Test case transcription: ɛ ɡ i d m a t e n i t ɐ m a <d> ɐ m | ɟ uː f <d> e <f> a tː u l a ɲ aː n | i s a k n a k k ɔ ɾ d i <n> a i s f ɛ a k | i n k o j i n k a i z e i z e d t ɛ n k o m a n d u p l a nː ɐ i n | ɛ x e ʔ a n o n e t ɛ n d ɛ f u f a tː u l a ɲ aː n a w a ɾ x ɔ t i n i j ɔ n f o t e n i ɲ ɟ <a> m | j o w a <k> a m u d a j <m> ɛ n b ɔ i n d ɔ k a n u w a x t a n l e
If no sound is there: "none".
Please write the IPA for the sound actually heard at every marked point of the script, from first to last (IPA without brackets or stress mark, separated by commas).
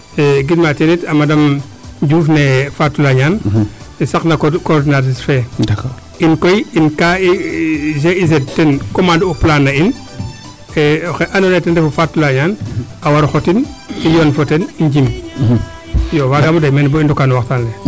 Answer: d, n, f, n, i, ɡ, m